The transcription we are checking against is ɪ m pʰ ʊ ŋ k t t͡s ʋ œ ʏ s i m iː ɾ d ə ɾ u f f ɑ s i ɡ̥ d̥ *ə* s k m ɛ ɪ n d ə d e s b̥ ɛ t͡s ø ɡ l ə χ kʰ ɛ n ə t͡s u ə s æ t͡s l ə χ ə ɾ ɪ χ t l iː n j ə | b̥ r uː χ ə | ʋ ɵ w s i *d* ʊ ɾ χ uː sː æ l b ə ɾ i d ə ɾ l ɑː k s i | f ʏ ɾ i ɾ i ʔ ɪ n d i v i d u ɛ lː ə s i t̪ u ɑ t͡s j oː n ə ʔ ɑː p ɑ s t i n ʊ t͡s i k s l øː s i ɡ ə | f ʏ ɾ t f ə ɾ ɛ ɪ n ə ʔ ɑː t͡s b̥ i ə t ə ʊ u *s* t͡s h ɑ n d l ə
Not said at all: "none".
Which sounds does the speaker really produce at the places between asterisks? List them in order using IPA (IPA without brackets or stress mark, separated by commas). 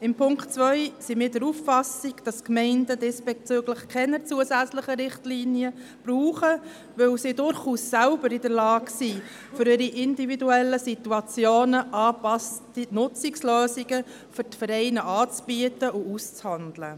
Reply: ɑ, d, s